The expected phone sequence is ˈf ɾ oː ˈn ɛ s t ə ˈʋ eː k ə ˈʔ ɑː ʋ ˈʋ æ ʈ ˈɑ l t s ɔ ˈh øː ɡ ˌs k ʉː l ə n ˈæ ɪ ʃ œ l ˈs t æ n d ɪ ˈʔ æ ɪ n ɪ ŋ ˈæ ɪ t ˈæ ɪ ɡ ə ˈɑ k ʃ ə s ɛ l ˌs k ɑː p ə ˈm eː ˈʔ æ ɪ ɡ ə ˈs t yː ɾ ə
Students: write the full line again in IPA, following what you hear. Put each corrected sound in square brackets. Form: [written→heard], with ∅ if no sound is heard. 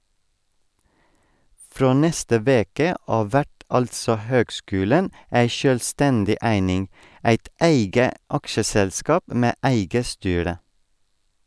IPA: ˈf ɾ oː ˈn ɛ s t ə ˈʋ eː k ə ˈʔ ɑː ʋ ˈʋ æ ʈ ˈɑ l t s ɔ ˈh øː ɡ ˌs k ʉː l ə n ˈæ ɪ ʃ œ l ˈs t [æ→ɛ] n d ɪ ˈʔ æ ɪ n ɪ ŋ ˈæ ɪ t ˈæ ɪ ɡ ə ˈɑ k ʃ ə s ɛ l ˌs k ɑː p ə ˈm eː ˈʔ æ ɪ ɡ ə ˈs t yː ɾ ə